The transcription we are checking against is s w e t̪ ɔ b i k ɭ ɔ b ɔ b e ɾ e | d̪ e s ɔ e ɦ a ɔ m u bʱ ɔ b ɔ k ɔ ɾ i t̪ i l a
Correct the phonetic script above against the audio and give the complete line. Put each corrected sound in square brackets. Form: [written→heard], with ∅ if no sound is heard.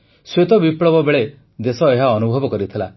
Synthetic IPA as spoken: s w e t̪ ɔ b i [k→p] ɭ ɔ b ɔ b e [ɾ→ɭ] e | d̪ e s ɔ e ɦ a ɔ [m→n] u bʱ ɔ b ɔ k ɔ ɾ i [t̪→t̪ʰ] i l a